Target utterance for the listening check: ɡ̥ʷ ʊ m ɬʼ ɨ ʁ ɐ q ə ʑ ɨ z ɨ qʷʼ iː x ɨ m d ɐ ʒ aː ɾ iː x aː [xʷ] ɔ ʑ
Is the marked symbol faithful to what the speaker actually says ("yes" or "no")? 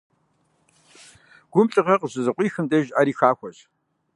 yes